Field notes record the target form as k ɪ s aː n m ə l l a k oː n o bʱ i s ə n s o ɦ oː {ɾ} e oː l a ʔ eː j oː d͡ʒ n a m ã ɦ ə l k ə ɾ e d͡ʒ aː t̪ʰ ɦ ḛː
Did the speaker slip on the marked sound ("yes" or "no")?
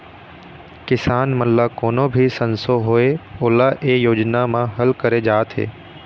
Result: yes